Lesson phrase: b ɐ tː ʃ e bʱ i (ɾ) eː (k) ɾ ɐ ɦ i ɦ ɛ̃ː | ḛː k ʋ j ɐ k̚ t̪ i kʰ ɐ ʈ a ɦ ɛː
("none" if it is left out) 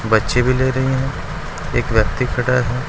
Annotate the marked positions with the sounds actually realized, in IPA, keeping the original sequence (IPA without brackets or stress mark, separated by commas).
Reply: l, none